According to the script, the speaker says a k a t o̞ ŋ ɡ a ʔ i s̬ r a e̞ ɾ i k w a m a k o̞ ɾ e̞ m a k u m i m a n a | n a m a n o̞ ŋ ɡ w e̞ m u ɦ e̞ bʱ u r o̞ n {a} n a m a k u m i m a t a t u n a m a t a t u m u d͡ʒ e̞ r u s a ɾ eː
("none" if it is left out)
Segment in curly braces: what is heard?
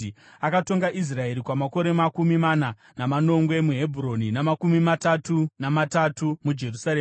i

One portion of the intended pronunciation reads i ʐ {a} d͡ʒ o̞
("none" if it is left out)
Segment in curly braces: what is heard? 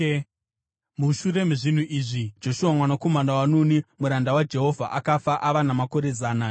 i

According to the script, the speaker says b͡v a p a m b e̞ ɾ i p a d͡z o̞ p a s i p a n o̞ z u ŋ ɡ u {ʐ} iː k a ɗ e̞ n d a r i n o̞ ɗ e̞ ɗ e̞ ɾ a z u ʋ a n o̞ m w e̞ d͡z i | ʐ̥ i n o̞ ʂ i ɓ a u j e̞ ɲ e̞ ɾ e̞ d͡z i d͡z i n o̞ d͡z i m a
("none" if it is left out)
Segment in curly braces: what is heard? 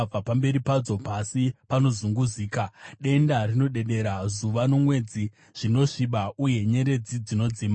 z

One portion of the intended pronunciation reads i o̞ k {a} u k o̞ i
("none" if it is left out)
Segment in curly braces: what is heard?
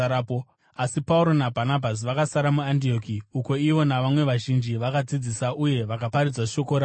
i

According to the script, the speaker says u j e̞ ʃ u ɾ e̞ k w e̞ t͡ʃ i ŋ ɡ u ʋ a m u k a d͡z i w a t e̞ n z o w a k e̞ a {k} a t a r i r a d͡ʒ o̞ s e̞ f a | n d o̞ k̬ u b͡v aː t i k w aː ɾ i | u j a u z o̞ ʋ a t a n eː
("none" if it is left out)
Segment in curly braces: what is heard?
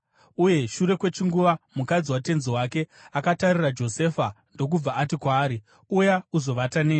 k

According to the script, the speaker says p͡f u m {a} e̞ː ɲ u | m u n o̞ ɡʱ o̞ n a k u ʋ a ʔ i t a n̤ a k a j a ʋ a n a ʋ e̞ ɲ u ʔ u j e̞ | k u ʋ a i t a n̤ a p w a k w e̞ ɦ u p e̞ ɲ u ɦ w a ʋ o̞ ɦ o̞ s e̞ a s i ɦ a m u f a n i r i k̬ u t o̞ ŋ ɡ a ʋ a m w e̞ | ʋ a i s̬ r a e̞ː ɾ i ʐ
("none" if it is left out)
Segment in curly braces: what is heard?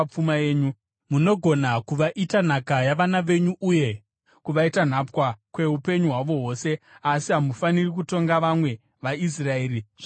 a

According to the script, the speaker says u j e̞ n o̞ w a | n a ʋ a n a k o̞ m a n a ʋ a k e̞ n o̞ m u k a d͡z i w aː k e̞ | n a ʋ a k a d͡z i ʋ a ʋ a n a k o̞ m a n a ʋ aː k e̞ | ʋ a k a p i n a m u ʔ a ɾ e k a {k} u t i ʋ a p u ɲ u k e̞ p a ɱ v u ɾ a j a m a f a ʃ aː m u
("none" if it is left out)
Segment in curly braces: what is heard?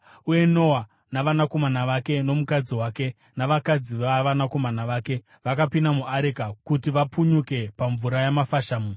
k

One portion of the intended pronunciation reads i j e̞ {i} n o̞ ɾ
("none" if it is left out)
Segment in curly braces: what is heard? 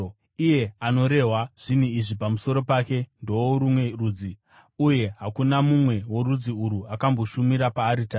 a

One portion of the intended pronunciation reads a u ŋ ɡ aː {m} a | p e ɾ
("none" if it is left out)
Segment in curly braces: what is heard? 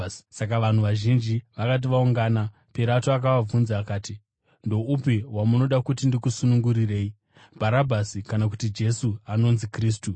n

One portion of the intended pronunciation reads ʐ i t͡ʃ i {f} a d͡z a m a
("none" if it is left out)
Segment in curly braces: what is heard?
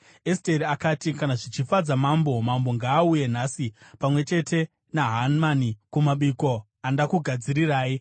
f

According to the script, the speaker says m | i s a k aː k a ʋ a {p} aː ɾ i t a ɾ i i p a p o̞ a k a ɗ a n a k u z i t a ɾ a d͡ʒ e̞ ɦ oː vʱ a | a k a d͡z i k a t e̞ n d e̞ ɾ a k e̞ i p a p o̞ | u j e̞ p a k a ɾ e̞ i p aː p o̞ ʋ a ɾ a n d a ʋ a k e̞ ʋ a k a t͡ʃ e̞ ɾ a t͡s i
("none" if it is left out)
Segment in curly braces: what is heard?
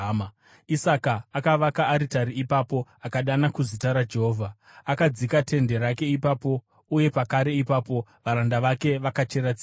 k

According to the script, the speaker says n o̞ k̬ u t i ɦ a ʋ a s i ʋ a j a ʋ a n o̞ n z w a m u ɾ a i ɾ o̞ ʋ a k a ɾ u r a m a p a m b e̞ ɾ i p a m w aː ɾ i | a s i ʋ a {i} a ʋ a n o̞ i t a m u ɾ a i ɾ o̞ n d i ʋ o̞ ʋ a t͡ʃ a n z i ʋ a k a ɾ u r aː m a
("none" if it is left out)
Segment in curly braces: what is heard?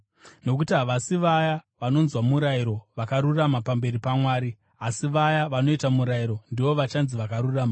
j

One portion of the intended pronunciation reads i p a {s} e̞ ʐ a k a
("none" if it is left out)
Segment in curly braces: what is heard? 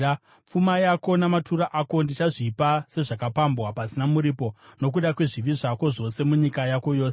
s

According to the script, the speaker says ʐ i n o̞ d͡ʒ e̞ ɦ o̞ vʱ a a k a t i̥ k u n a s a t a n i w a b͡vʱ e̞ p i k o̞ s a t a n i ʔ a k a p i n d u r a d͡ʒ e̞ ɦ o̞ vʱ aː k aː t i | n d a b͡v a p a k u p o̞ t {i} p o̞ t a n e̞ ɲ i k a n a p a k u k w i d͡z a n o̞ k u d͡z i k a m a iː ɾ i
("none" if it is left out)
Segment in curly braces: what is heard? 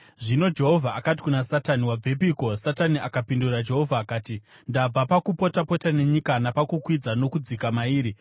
a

